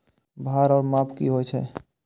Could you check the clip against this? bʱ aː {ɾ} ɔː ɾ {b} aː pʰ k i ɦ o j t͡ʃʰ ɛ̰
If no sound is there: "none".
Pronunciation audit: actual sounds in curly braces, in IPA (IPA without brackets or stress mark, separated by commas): ɾ, m